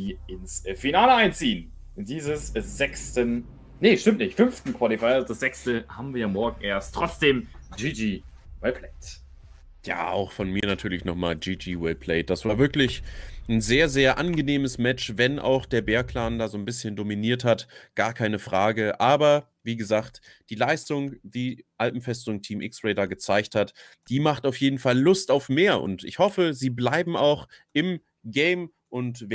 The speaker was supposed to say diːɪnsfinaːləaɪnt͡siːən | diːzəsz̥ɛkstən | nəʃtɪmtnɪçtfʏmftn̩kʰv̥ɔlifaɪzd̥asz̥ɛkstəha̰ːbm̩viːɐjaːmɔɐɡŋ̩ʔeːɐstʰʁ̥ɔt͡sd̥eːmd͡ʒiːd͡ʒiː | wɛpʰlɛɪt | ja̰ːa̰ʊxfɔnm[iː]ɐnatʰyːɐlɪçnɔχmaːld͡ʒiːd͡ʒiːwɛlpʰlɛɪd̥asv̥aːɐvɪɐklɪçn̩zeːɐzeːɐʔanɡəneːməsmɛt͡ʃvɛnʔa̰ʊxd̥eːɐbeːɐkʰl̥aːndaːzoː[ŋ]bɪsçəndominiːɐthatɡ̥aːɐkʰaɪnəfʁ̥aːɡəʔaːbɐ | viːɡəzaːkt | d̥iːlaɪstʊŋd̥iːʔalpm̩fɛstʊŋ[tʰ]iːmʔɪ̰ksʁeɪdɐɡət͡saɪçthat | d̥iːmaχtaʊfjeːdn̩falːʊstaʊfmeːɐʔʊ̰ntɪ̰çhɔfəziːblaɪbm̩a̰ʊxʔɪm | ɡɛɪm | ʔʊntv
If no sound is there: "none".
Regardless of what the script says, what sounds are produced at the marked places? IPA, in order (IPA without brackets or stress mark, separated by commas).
iː, n, tʰ